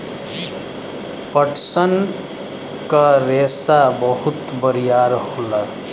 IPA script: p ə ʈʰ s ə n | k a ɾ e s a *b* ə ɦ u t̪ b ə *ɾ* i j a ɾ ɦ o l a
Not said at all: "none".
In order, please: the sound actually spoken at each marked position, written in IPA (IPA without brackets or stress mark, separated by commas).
b, ɾ